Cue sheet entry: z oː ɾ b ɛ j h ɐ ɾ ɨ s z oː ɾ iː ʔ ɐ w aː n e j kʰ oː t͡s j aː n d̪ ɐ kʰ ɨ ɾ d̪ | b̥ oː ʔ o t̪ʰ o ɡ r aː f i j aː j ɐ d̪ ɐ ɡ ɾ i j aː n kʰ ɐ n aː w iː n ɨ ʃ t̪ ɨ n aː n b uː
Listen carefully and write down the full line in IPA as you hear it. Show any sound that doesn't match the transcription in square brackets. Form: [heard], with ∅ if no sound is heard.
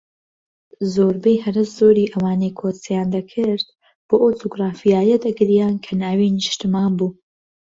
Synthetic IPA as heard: z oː ɾ b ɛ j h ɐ ɾ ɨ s z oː ɾ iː ʔ ɐ w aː n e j kʰ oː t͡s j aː n d̪ ɐ kʰ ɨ ɾ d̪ | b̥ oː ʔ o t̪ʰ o ɡ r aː f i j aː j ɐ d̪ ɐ ɡ ɾ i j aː n kʰ ɐ n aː w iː n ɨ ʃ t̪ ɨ [m] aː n b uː